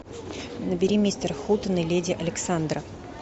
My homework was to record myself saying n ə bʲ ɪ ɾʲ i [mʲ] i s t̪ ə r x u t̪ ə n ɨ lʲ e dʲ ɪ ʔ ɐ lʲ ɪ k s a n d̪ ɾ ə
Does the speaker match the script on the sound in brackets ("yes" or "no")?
yes